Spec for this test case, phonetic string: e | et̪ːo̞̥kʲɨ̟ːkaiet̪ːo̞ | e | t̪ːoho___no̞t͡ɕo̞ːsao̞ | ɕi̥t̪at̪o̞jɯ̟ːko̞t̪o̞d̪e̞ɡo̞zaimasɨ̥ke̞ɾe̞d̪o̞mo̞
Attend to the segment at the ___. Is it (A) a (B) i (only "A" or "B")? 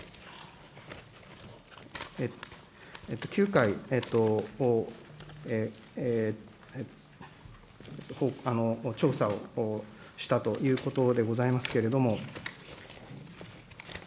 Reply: A